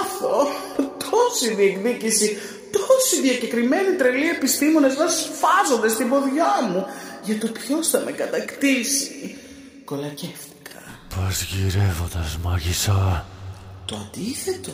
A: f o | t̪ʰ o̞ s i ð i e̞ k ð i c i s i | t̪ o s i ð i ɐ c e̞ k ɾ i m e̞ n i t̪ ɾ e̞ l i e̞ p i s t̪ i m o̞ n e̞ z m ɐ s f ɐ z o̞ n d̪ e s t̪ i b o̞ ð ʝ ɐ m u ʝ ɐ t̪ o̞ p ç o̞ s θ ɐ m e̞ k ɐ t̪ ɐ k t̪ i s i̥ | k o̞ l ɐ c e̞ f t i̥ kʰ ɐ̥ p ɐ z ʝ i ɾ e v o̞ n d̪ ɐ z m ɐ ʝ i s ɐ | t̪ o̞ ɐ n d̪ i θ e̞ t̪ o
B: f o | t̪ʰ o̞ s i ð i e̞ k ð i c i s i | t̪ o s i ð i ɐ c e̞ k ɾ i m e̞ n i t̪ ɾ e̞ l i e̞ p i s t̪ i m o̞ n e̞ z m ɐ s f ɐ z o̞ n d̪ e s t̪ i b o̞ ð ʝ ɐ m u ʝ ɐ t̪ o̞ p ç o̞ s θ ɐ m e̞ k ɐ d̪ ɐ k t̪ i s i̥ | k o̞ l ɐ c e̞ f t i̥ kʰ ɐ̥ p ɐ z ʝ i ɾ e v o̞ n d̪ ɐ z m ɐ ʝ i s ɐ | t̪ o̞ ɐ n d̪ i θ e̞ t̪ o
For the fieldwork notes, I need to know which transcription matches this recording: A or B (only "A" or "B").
A